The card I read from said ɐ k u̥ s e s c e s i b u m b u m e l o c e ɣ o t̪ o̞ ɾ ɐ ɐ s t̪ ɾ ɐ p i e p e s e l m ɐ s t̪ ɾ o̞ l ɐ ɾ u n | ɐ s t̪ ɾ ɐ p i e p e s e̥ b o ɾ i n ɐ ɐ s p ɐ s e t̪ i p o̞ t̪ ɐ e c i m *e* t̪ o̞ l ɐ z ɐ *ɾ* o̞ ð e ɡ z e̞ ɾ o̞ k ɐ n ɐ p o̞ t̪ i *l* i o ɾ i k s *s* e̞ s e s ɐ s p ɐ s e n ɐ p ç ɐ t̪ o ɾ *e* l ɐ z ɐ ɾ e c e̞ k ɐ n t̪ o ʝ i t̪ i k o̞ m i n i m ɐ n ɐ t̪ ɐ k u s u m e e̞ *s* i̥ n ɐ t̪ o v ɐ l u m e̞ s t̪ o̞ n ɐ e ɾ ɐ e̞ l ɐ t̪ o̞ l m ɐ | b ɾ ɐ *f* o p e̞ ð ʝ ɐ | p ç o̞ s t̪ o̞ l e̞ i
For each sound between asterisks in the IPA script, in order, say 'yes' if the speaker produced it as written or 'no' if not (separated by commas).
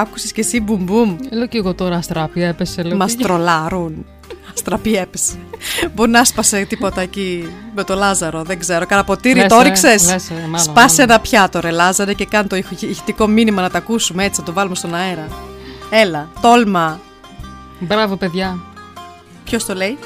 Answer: yes, yes, no, yes, yes, no, no